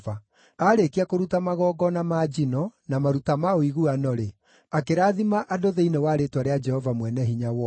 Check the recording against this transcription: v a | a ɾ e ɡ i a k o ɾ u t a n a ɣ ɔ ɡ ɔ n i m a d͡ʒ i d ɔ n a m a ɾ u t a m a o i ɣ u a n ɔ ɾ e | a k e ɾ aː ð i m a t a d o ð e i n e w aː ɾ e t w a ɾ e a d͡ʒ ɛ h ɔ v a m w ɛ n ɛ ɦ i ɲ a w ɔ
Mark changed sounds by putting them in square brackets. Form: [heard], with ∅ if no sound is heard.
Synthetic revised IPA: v a | a ɾ e [k] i a k o ɾ u t a [m] a ɣ ɔ ɡ ɔ n [a] m a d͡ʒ i [n] ɔ n a m a ɾ u t a m a o i ɣ u a n ɔ ɾ e | a k e ɾ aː ð i m a [ʔ] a d o ð e i n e w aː ɾ e t w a ɾ e a d͡ʒ ɛ h ɔ v a m w ɛ n ɛ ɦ i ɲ a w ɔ